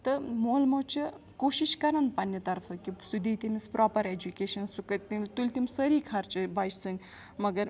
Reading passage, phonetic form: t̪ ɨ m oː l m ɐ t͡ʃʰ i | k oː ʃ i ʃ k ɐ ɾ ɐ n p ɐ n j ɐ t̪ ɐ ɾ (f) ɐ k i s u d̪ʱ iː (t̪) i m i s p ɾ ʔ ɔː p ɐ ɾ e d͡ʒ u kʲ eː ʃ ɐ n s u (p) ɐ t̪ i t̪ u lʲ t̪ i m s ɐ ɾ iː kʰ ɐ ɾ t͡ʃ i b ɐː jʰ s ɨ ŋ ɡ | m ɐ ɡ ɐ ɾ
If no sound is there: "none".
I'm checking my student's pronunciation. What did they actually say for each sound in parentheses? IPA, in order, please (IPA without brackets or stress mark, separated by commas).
f, t̪, k